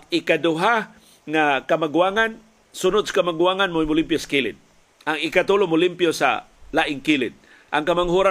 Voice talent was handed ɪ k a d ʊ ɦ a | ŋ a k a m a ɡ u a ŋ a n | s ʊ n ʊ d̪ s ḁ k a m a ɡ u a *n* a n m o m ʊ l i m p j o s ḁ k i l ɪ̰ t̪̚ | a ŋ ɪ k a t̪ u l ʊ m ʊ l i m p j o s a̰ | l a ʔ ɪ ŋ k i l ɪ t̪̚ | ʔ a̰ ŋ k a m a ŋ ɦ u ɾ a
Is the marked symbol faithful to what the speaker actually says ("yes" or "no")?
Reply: no